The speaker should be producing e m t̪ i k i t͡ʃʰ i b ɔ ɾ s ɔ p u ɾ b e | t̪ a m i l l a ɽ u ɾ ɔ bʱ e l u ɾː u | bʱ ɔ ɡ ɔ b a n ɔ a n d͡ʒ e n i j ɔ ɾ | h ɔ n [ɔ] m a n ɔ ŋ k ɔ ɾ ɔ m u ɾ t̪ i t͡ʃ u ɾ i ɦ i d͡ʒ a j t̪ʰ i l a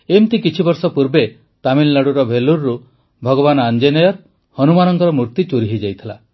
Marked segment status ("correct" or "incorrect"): incorrect